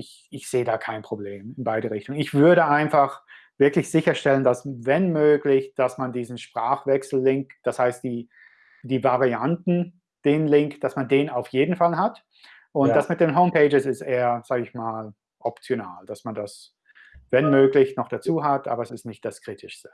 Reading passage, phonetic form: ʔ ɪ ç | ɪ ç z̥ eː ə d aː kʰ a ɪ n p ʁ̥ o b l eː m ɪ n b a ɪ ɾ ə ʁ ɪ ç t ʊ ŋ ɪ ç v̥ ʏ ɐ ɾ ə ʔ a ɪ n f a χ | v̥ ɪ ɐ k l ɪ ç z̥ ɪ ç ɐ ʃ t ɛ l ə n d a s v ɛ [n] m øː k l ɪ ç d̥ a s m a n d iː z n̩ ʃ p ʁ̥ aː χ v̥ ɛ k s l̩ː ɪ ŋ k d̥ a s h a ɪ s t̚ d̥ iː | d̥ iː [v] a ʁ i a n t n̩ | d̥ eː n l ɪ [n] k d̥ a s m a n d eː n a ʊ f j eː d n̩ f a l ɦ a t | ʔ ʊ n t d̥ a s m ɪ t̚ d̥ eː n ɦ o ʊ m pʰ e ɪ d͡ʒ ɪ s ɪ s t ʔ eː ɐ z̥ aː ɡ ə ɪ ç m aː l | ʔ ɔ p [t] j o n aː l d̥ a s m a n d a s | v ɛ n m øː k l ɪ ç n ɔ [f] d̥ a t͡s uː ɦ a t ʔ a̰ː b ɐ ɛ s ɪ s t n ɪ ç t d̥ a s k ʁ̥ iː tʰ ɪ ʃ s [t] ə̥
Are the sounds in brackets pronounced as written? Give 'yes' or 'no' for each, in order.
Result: yes, yes, no, no, no, yes

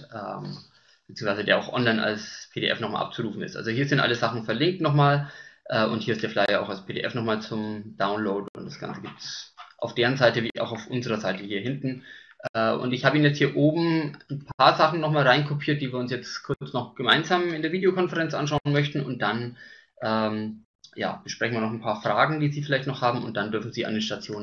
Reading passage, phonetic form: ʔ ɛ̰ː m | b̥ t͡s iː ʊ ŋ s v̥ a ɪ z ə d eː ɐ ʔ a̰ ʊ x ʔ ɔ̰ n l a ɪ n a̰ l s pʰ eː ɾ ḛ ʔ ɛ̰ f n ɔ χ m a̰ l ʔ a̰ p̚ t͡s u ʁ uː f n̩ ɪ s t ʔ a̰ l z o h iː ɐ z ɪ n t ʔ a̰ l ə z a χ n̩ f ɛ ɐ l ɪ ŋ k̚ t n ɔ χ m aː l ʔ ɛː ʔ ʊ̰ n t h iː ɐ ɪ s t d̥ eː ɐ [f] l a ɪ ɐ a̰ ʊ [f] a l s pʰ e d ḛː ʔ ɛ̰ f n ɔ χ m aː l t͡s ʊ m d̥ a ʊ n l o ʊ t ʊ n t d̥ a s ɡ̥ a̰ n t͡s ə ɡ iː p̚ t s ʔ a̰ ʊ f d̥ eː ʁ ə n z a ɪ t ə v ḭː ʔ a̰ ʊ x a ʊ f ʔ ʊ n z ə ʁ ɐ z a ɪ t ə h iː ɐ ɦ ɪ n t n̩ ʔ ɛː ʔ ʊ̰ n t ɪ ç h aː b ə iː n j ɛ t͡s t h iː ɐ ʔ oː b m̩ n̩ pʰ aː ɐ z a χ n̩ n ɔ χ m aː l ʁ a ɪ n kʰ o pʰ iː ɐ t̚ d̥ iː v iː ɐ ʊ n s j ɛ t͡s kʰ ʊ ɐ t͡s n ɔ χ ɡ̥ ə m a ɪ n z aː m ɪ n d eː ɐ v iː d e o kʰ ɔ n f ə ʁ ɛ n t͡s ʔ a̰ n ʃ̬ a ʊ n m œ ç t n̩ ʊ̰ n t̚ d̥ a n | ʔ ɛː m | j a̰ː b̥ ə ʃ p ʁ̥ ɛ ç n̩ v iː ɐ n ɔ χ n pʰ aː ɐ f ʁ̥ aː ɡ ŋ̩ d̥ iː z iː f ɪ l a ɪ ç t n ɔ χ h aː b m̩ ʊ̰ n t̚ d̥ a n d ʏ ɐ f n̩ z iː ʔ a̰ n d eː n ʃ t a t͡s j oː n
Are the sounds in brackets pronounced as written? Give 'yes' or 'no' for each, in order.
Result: yes, no

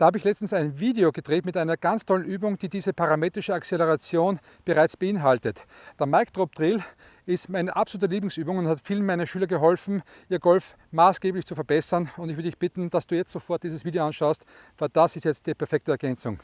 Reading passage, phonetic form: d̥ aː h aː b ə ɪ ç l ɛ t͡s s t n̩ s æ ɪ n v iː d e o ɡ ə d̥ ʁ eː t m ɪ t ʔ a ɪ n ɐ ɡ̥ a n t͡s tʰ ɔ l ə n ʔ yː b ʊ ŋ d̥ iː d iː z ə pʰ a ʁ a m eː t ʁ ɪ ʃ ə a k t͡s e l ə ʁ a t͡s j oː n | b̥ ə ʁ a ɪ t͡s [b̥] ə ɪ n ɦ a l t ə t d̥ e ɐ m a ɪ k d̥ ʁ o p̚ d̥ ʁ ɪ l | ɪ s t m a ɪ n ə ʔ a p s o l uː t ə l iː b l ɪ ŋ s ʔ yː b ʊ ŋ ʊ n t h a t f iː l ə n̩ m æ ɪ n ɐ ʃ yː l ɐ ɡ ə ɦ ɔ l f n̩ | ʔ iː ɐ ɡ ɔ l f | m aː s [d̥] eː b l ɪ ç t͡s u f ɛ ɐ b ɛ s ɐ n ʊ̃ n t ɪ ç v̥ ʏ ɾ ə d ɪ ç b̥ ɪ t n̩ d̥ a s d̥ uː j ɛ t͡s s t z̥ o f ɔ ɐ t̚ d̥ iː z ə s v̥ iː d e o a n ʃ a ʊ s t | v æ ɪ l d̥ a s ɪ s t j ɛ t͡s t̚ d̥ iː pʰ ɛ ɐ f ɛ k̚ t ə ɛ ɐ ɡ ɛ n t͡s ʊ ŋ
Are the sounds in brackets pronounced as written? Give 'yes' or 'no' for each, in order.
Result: yes, no

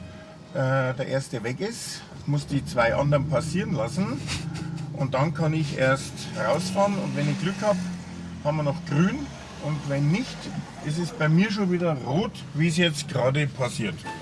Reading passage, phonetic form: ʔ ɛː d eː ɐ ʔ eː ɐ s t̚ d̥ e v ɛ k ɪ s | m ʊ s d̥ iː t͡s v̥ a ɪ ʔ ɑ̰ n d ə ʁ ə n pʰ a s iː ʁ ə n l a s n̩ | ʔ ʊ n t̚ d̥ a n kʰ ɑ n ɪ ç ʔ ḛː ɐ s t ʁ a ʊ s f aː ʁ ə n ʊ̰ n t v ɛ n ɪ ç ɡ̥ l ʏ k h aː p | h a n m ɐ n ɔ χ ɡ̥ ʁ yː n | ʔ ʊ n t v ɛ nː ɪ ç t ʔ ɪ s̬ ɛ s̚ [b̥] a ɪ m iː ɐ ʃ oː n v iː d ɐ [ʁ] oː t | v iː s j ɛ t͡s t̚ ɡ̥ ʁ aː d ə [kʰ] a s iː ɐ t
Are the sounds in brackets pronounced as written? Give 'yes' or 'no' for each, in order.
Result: yes, yes, no

